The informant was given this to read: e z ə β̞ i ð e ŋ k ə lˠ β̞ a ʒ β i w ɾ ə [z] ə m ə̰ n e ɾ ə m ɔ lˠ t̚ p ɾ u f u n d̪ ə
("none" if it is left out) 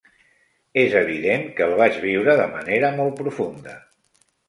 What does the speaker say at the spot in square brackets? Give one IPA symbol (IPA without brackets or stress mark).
ð